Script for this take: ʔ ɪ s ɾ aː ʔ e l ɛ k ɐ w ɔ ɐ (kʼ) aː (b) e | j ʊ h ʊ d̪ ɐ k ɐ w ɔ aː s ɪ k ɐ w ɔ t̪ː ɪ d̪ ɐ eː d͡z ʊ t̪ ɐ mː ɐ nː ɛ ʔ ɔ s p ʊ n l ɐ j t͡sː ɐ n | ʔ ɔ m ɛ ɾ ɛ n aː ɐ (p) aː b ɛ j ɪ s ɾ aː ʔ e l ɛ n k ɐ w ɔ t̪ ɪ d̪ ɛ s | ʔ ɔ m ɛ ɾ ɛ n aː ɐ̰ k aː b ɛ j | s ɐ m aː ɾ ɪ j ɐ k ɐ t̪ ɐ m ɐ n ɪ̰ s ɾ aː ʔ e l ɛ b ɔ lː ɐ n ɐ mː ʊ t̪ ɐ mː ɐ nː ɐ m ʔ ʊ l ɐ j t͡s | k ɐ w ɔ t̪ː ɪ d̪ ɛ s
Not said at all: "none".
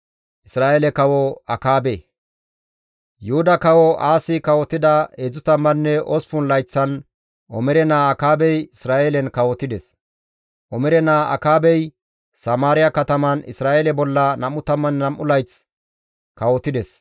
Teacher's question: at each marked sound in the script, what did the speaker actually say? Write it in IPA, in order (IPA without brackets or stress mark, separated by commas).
k, b, k